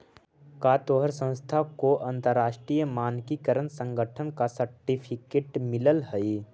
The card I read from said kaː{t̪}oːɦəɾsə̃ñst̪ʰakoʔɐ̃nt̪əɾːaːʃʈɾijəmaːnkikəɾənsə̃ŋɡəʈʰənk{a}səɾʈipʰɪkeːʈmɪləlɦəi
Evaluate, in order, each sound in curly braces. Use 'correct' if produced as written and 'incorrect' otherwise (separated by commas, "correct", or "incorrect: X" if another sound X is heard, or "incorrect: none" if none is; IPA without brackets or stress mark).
correct, correct